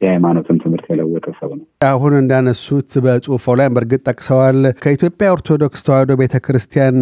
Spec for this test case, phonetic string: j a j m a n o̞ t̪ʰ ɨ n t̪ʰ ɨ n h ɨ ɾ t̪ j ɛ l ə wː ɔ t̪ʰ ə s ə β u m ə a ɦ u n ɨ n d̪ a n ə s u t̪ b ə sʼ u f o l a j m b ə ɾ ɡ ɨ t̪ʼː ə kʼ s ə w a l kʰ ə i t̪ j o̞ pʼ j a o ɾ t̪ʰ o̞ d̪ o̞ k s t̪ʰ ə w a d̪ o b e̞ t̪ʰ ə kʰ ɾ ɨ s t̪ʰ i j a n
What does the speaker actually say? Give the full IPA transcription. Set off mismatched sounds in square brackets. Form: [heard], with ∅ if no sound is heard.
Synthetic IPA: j a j m a n o̞ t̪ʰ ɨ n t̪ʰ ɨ [m] h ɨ ɾ t̪ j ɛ l ə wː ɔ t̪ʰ ə s ə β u [n] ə a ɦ u n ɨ n d̪ a n ə s u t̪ b ə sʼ u f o l a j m b ə ɾ ɡ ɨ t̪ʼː ə kʼ s ə w a l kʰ ə i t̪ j o̞ pʼ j a o ɾ t̪ʰ o̞ d̪ o̞ k s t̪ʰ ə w a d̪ o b e̞ t̪ʰ ə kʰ ɾ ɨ s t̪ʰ i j a n